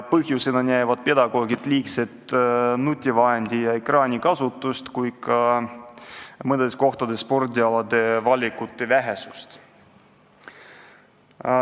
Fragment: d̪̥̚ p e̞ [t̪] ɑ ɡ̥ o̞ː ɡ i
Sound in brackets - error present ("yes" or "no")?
yes